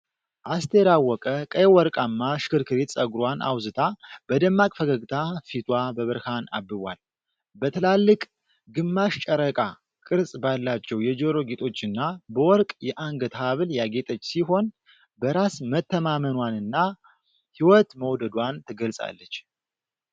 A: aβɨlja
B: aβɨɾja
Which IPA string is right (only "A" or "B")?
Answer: A